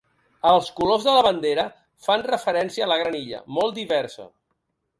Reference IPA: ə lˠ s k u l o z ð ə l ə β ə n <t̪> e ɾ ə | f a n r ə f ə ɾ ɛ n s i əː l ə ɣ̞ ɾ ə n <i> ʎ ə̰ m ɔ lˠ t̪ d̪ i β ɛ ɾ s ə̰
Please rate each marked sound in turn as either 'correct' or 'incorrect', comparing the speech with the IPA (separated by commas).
incorrect, correct